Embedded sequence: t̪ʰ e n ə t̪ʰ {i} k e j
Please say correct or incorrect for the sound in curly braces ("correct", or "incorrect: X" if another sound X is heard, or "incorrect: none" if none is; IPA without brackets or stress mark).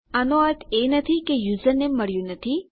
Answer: correct